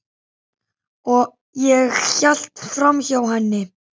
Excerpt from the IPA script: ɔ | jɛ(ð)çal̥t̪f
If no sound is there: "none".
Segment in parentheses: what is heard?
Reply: ɣ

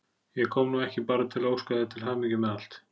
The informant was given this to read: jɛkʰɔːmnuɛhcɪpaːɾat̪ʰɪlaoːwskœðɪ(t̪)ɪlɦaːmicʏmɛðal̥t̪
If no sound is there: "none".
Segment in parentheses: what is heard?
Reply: t̪ʰ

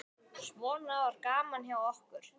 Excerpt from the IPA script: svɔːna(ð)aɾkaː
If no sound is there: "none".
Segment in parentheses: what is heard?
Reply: v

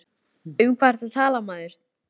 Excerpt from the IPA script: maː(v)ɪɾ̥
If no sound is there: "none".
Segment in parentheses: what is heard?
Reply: ð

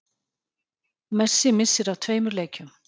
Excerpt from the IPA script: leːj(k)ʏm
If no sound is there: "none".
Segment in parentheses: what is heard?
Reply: c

